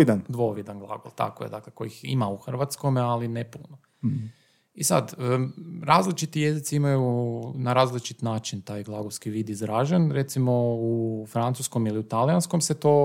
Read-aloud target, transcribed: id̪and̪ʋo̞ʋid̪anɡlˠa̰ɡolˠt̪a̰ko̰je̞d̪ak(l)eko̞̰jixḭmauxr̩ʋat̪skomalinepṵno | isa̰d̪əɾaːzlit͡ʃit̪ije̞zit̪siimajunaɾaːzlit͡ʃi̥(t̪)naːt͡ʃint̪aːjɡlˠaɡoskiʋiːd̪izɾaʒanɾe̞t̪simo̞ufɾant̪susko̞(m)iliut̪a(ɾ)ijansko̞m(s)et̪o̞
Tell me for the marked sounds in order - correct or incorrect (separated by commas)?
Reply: correct, correct, correct, incorrect, correct